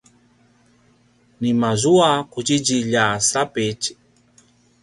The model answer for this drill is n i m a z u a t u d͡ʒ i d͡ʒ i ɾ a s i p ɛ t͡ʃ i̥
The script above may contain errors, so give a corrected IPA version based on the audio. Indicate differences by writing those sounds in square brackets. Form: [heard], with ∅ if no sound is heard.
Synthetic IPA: n i m a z u a [k] u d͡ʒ i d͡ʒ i [ʎ] a s [a] p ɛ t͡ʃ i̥